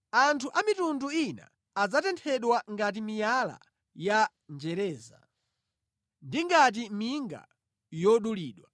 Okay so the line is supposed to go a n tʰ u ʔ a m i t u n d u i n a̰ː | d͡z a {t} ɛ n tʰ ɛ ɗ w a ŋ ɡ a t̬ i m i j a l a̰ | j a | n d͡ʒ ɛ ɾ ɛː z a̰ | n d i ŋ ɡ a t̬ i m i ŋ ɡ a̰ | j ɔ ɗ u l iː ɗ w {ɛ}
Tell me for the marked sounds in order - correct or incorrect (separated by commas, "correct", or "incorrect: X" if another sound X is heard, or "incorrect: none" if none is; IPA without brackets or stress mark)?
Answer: correct, incorrect: a